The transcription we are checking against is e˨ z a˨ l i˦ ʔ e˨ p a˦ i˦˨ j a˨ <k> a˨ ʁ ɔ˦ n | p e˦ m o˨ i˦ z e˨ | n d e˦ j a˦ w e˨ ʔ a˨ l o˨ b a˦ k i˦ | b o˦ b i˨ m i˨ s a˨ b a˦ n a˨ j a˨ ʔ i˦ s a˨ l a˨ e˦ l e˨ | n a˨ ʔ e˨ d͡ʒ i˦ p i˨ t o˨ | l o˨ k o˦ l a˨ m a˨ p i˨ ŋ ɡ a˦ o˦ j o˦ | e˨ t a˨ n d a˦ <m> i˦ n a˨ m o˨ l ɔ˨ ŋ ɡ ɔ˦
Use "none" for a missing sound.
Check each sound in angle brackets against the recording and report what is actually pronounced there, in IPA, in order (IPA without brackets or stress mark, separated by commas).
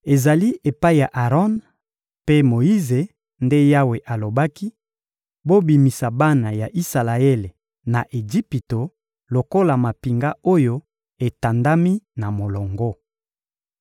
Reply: ʔ, m